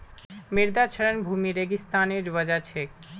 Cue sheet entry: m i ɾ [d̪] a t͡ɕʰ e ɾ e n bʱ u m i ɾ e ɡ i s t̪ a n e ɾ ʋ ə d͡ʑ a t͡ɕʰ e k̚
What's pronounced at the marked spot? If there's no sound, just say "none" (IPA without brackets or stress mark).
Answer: d̪